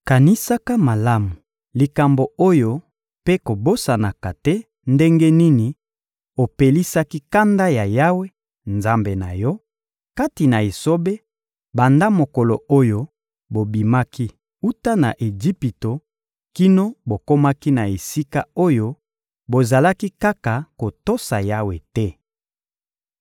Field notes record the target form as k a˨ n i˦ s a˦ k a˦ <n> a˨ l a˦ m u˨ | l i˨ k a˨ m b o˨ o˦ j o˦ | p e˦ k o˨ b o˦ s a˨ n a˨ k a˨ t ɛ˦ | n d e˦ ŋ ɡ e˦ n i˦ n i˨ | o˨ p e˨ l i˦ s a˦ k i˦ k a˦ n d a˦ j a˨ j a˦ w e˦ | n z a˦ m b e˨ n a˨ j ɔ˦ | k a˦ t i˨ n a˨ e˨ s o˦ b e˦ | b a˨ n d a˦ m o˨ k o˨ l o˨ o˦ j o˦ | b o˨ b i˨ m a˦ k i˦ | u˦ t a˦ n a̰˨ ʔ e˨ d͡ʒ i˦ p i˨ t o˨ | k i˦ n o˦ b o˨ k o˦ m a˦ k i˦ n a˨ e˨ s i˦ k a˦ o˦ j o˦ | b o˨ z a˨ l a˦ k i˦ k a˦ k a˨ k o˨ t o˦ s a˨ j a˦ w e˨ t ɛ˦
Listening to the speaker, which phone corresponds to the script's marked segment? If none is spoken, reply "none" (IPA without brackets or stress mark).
m